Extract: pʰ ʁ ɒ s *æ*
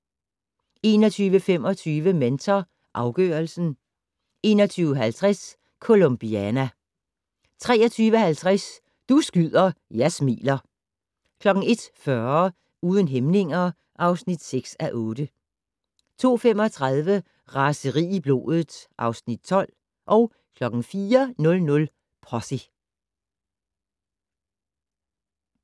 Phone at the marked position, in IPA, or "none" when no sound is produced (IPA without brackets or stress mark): i